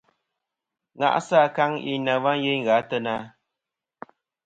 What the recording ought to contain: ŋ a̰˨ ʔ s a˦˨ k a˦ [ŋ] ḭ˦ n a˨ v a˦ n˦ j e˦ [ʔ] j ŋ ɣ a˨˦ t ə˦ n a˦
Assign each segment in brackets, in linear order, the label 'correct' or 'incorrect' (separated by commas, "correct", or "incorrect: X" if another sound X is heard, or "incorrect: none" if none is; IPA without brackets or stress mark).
correct, incorrect: none